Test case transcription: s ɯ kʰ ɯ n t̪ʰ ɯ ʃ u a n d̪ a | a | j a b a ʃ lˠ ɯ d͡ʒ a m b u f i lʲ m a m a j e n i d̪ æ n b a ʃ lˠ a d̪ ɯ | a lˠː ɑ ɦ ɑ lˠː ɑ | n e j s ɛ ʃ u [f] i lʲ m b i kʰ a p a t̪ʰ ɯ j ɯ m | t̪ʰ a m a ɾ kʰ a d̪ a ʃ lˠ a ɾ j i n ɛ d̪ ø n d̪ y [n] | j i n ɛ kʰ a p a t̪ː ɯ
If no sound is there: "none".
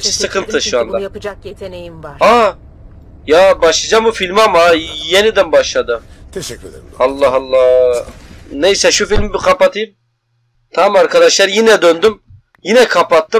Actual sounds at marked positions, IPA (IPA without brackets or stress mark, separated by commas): f, m